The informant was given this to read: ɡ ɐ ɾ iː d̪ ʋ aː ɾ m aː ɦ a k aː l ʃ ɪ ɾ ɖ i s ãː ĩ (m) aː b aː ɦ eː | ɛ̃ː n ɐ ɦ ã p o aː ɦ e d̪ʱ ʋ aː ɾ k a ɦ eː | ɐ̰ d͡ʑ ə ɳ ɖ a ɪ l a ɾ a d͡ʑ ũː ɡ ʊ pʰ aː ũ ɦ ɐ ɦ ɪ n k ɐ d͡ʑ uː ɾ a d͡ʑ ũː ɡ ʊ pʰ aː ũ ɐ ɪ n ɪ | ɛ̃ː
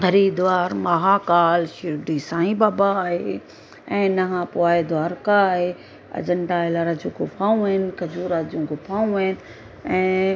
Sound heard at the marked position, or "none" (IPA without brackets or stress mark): b